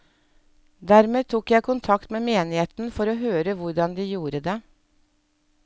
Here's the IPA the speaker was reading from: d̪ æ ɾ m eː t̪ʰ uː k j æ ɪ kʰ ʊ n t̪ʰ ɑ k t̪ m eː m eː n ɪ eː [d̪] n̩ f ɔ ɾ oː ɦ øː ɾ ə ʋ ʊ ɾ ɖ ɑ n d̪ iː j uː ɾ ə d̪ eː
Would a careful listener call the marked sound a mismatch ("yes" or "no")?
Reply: yes